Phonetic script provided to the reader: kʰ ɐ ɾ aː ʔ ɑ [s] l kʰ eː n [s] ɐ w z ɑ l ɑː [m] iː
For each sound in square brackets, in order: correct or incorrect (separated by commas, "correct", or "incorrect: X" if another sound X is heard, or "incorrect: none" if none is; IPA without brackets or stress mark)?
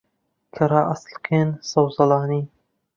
correct, correct, incorrect: n